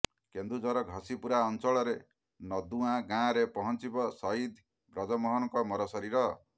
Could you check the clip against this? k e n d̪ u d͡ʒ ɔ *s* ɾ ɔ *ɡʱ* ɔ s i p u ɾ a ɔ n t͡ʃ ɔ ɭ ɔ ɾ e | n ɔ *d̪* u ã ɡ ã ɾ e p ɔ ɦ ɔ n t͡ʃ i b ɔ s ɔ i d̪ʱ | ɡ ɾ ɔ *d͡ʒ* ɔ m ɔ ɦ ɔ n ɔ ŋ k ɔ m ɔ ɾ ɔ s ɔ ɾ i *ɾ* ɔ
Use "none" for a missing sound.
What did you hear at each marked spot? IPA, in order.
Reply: none, ɡʱ, d̪, d͡ʒ, ɾ

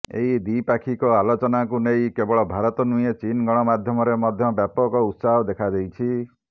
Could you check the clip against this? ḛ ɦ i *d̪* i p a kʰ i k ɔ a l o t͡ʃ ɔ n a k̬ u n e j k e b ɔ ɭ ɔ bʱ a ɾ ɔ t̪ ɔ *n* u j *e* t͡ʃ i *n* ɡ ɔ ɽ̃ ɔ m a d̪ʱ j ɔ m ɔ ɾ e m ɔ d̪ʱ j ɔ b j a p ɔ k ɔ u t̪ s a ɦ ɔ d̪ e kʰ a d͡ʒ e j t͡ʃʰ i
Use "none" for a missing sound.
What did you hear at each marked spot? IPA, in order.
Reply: d̪, n, e, n

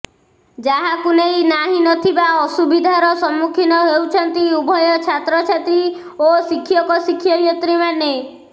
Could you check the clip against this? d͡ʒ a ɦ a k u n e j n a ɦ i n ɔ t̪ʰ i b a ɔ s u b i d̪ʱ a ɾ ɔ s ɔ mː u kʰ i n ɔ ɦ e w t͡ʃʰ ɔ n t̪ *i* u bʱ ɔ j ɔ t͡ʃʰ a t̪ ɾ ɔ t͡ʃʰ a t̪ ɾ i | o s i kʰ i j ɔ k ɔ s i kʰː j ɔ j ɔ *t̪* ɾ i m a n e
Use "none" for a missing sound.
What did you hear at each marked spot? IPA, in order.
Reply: i, t̪

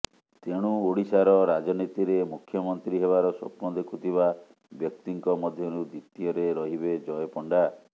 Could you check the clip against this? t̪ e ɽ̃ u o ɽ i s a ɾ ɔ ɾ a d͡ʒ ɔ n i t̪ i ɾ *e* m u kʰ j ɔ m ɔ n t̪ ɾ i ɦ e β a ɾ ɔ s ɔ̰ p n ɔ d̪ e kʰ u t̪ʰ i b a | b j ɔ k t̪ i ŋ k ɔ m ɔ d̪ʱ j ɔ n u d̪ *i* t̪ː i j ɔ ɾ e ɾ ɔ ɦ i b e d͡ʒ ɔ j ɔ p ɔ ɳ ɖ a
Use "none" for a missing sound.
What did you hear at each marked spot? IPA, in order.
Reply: e, i

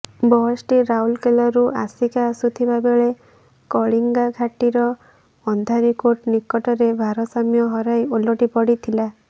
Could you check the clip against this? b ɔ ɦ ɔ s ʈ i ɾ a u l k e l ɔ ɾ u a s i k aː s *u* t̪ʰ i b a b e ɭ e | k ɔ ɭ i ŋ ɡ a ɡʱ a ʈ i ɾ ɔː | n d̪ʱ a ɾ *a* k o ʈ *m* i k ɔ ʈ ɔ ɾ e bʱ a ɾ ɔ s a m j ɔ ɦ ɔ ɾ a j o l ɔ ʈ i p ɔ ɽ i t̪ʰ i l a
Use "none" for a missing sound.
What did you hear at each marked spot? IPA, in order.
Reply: u, i, n

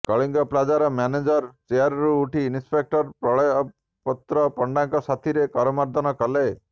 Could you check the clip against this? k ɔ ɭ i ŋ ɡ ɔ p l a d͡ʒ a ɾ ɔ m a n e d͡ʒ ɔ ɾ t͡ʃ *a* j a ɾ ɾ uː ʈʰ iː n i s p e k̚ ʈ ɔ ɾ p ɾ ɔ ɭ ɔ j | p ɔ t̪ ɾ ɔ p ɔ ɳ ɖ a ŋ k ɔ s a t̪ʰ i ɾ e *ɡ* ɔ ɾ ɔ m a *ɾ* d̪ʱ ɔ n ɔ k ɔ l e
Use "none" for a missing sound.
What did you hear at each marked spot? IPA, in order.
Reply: e, k, ɾ

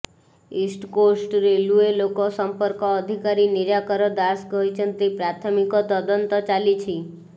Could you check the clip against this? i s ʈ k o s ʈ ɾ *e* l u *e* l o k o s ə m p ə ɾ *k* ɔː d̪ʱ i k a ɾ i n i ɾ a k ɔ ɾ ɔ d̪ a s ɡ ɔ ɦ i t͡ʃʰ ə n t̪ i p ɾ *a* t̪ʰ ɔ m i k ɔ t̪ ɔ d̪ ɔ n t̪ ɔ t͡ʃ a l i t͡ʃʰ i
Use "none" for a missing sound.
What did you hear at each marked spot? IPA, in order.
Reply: e, e, k, a

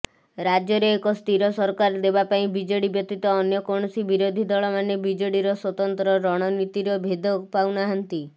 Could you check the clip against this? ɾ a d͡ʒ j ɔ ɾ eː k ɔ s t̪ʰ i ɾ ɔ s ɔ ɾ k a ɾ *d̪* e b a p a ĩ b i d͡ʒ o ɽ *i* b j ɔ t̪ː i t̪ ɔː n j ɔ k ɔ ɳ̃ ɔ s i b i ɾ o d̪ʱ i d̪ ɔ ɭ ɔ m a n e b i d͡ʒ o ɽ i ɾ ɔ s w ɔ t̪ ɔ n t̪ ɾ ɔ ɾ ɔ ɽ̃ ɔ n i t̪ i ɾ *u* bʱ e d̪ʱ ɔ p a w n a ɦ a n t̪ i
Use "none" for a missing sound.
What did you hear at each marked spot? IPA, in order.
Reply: d̪, i, ɔ

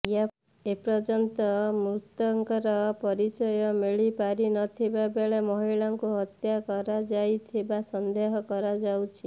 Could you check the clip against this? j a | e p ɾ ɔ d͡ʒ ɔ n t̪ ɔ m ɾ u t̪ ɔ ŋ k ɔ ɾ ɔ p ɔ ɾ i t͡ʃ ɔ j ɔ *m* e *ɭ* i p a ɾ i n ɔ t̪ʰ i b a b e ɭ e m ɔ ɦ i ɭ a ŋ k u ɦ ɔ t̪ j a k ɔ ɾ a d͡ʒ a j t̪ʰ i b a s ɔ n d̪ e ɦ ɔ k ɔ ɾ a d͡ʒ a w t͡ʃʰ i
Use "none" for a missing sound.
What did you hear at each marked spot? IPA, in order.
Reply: m, ɭ

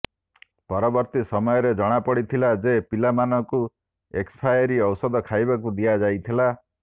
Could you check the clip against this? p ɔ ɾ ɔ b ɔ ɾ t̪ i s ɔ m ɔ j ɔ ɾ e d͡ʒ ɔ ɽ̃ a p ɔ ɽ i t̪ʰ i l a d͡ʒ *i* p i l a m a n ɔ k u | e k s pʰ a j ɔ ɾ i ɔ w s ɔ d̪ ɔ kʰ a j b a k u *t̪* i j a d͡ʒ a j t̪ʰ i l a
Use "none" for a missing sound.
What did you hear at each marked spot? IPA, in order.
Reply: e, d̪

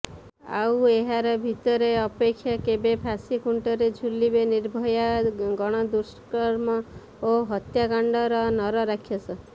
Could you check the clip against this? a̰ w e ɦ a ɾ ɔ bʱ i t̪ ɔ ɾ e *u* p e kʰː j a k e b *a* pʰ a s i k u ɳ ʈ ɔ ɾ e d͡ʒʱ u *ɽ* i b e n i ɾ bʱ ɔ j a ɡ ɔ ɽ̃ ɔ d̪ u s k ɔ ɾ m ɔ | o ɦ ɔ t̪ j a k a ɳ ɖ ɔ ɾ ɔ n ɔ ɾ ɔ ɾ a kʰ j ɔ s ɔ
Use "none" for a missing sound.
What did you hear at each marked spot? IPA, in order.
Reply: ɔ, e, l

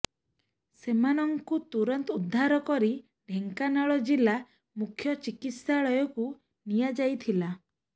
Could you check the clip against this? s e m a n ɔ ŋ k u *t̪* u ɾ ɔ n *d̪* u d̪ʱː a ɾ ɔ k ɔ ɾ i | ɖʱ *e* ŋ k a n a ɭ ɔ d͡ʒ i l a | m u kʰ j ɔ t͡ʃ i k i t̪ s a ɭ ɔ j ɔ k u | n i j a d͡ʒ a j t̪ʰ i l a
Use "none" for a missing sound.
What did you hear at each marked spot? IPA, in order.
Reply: t̪, t̪, e

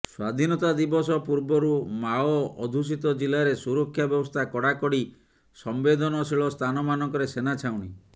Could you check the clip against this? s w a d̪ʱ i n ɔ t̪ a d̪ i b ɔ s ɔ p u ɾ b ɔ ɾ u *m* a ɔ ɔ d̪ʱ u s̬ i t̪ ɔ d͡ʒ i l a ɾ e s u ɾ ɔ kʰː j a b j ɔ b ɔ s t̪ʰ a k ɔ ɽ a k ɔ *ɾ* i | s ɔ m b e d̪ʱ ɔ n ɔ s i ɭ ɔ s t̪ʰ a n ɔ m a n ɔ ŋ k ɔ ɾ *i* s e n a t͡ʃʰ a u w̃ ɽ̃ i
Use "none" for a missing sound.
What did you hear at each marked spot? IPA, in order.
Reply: m, ɽ, e

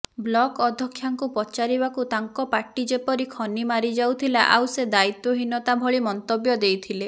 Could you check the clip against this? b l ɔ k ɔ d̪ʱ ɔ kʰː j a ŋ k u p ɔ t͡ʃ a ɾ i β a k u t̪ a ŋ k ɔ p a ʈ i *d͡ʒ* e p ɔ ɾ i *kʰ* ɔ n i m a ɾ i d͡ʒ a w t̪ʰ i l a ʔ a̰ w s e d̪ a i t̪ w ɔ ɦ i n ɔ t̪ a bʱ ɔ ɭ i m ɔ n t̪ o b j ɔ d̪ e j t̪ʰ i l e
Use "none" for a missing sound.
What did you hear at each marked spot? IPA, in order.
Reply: d͡ʒ, kʰ

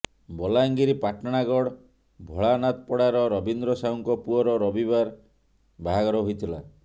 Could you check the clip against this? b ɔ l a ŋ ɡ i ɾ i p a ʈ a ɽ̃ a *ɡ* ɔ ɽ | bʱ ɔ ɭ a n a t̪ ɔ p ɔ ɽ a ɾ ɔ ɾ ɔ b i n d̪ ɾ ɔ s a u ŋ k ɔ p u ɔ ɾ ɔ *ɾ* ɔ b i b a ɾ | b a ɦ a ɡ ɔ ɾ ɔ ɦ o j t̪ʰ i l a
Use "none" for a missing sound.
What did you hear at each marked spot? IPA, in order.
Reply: ɡ, ɾ

